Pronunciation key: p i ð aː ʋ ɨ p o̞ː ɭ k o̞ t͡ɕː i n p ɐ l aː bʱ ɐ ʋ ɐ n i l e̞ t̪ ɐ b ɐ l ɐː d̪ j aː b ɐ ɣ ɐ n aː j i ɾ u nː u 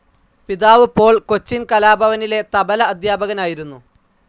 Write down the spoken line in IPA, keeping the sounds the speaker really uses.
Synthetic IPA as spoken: p i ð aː ʋ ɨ p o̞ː ɭ k o̞ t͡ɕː i n k ɐ l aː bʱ ɐ ʋ ɐ n i l e̞ t̪ ɐ b ɐ l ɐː d̪ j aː b ɐ ɣ ɐ n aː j i ɾ u nː u